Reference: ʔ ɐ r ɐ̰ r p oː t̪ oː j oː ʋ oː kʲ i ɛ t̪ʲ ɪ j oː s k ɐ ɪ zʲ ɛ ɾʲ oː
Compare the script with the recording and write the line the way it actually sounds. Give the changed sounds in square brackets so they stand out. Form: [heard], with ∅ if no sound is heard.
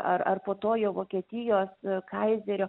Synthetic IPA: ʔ ɐ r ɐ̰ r p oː t̪ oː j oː ʋ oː kʲ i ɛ t̪ʲ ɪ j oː s k ɐ ɪ zʲ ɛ ɾʲ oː